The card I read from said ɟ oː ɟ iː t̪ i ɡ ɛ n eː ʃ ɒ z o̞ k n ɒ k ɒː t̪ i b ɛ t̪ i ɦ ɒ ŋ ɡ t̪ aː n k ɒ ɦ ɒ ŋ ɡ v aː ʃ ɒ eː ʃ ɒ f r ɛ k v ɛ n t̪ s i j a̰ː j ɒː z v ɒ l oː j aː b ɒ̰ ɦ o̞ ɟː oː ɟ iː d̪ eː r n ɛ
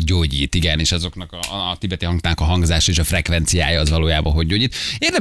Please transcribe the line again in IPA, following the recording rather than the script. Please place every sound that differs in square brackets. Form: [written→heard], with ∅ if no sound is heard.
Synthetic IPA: ɟ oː ɟ iː t̪ i ɡ ɛ n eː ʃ ɒ z o̞ k n ɒ k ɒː t̪ i b ɛ t̪ i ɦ ɒ ŋ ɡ t̪ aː n k ɒ ɦ ɒ ŋ ɡ [v→z] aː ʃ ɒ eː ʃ ɒ f r ɛ k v ɛ n t̪ s i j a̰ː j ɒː z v ɒ l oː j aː b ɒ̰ ɦ o̞ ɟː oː ɟ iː [d̪→t̪] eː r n ɛ